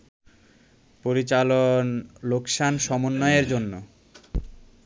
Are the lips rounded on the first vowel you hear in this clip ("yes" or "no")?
yes